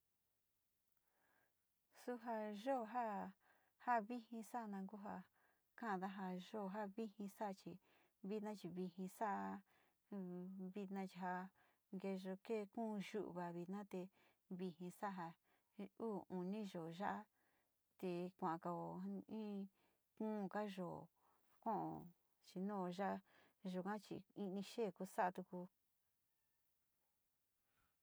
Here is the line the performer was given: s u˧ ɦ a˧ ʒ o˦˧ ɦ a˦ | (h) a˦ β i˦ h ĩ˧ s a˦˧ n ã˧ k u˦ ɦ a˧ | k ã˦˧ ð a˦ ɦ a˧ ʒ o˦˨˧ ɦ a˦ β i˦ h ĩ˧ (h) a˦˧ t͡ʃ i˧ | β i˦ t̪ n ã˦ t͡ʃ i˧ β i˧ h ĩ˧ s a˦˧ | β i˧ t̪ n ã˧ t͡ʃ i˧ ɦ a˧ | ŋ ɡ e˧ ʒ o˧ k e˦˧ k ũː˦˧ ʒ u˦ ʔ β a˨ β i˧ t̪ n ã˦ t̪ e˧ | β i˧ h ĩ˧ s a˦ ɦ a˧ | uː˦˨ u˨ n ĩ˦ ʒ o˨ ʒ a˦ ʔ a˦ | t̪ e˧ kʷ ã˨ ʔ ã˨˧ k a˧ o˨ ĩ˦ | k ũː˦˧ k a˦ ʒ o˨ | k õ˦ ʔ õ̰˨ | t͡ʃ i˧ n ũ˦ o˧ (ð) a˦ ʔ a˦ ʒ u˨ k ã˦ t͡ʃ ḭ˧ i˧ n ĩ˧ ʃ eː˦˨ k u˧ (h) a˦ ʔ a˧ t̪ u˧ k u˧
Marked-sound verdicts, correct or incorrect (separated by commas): correct, incorrect, incorrect, incorrect